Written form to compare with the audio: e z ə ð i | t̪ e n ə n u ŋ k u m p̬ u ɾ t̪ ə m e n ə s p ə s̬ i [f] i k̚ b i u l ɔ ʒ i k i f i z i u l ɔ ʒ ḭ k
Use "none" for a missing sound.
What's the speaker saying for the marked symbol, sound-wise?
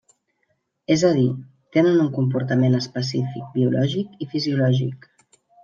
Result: f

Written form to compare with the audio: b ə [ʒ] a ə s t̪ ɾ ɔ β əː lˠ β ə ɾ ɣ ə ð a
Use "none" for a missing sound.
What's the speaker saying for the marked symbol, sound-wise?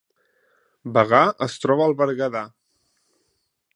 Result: ɣ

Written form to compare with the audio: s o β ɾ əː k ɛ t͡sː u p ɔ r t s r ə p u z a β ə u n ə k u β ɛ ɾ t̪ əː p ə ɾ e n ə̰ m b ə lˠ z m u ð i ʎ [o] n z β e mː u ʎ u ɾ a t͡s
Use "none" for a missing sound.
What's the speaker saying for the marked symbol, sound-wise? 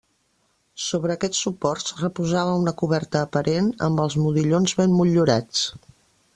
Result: o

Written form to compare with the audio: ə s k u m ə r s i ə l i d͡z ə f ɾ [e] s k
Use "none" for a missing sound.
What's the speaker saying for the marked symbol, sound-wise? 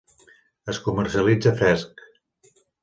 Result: ɛ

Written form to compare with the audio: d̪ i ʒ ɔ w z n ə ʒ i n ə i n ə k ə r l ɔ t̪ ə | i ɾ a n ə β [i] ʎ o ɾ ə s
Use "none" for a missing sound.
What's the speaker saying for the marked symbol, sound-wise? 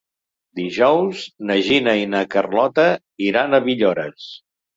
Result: i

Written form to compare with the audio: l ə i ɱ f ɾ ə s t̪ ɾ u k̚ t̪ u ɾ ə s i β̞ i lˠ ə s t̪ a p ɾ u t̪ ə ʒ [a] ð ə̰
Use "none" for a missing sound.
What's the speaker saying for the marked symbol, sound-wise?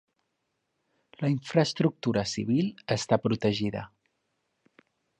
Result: i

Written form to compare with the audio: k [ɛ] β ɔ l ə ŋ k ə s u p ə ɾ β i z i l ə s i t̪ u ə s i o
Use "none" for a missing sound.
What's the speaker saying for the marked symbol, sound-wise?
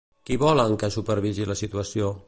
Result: i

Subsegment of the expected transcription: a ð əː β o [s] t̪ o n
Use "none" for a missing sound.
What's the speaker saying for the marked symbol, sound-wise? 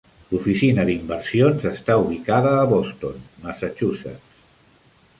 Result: s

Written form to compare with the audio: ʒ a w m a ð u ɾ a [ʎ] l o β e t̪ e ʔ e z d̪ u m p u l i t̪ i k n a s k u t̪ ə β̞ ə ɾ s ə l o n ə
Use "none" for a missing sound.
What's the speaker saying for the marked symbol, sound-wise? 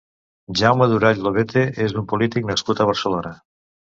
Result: ʎ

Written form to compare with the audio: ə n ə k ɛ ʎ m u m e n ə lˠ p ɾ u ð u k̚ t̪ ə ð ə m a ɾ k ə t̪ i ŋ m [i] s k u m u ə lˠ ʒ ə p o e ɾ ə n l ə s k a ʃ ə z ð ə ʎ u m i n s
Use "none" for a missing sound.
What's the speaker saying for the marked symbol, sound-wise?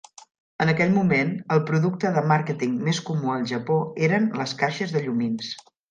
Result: e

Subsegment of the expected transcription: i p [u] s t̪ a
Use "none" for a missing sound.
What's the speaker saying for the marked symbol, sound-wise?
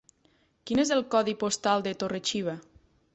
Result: o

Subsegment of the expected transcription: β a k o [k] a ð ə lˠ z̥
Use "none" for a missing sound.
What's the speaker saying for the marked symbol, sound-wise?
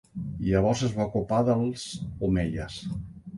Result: p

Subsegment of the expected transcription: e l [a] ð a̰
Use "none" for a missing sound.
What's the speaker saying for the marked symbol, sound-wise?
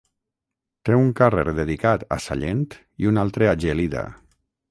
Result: i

